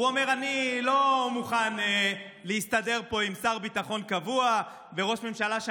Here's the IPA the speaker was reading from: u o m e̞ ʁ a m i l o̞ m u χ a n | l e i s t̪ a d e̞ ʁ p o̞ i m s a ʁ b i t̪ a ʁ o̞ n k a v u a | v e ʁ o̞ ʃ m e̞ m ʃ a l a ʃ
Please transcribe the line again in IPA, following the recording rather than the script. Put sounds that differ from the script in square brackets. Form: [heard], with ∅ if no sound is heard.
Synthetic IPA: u o m e̞ ʁ a [n] i l o̞ m u χ a n | l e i s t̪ a d e̞ ʁ p o̞ i m s a ʁ b i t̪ a [χ] o̞ n k a v u a | v e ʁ o̞ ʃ m e̞ m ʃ a l a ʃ